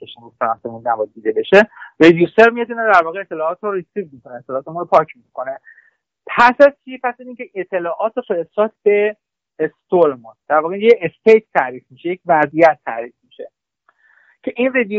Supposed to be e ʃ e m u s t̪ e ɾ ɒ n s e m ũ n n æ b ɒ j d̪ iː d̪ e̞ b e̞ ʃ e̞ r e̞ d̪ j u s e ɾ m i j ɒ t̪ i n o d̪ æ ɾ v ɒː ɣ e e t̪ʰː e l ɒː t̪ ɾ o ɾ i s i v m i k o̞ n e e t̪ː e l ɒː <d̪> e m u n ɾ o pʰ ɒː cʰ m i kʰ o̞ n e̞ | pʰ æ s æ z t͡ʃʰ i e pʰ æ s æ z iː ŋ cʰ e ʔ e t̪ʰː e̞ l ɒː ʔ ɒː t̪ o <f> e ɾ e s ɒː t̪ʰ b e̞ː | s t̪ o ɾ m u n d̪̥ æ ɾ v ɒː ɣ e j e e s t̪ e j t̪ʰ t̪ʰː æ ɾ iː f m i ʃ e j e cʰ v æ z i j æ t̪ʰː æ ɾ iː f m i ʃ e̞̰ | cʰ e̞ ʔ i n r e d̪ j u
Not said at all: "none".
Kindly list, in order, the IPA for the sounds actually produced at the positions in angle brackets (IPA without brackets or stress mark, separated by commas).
t̪, f